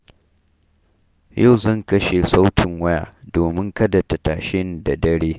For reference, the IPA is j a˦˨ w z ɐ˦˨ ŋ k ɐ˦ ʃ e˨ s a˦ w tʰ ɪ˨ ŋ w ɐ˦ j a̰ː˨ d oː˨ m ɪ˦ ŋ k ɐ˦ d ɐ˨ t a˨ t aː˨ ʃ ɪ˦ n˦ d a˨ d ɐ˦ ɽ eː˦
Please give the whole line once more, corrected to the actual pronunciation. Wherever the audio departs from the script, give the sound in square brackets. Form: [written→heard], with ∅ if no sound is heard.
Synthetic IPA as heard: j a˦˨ w z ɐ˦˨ ŋ k ɐ˦ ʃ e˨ s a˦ w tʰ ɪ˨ ŋ w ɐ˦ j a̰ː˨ d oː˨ m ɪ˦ ŋ k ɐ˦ d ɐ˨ t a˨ t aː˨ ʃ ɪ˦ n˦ d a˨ d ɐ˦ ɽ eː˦